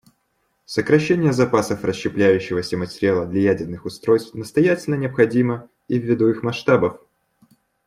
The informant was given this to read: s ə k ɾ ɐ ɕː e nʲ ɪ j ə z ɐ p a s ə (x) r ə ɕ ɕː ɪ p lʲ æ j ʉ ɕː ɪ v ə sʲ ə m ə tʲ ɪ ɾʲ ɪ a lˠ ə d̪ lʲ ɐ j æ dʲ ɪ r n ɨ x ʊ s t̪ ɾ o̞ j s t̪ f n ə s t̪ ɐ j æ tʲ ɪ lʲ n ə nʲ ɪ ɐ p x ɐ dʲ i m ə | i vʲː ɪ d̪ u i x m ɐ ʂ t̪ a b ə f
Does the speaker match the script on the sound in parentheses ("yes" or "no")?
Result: no